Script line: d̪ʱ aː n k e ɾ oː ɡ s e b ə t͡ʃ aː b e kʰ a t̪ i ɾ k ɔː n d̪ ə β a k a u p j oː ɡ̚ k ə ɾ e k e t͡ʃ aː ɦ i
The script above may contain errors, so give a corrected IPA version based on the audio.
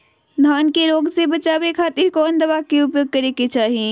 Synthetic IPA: d̪ʱ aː n k e ɾ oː ɡ s e b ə t͡ʃ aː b e kʰ a t̪ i ɾ k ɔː n d̪ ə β a k e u p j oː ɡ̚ k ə ɾ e k e t͡ʃ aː ɦ i